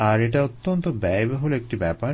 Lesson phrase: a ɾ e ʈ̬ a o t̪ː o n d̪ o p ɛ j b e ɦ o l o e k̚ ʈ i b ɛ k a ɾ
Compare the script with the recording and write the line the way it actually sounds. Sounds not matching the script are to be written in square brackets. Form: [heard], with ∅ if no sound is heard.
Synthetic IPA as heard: a ɾ e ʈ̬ a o t̪ː o n [t̪] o [b] ɛ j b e ɦ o l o e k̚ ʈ i b ɛ [p] a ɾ